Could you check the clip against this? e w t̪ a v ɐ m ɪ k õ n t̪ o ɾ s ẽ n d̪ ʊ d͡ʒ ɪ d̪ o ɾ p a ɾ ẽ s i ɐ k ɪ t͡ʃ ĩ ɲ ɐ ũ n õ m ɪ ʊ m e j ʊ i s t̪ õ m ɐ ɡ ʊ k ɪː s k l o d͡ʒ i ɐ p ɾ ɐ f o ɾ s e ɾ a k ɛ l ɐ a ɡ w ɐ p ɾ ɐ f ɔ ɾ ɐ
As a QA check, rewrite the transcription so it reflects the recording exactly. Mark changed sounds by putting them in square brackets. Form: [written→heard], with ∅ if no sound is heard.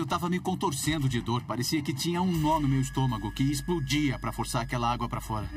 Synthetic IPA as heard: e w t̪ a v ɐ m ɪ k õ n t̪ o ɾ s ẽ n d̪ ʊ d͡ʒ ɪ d̪ o ɾ p a ɾ [ẽ→e] s i ɐ k ɪ t͡ʃ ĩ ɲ ɐ ũ n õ m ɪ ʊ m e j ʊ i s t̪ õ m ɐ ɡ ʊ k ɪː s [k→p] l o d͡ʒ i ɐ p ɾ ɐ f o ɾ s [e→a] ɾ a k ɛ l ɐ a ɡ w ɐ p ɾ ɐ f ɔ ɾ ɐ